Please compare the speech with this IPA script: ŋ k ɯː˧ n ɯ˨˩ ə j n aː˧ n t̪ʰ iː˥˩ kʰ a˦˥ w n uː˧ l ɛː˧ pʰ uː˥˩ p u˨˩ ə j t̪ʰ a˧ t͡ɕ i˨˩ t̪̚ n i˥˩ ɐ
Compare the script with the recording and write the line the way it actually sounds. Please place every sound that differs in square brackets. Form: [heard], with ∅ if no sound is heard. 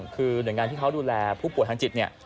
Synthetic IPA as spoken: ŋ [kʰ] ɯː˧ n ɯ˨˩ ə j [ŋ] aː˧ n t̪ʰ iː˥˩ kʰ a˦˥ w [d] uː˧ l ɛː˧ pʰ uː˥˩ p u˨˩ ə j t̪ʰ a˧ t͡ɕ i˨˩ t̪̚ n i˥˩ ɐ